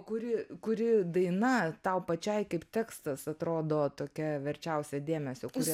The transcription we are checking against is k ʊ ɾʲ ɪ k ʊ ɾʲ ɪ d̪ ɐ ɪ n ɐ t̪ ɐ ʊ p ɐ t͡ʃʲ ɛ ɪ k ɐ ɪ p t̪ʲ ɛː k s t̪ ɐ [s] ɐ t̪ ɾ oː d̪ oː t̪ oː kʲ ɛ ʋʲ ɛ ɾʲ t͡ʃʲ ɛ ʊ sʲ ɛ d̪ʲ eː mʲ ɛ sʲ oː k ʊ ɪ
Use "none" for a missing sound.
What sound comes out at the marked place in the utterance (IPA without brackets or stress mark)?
s